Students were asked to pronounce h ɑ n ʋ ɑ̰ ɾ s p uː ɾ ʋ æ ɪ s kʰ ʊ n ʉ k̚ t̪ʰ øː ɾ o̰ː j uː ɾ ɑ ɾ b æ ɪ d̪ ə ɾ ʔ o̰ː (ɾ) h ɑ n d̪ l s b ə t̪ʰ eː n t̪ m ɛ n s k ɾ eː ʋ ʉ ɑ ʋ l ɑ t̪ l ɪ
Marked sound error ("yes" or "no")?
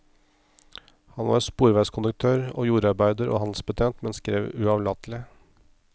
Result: yes